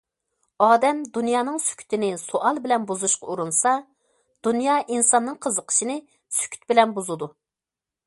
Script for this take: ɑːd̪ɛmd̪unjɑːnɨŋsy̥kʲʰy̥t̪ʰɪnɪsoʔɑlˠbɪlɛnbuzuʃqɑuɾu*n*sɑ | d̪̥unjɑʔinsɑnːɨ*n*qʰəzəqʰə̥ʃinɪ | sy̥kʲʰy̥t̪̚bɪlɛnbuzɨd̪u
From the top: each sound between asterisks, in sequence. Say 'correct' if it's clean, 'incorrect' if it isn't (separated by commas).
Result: correct, incorrect